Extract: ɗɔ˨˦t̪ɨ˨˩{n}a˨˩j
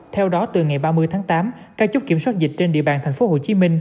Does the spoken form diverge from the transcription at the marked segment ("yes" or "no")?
yes